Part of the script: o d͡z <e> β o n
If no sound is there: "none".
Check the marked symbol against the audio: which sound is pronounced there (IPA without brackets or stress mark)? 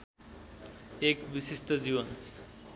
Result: i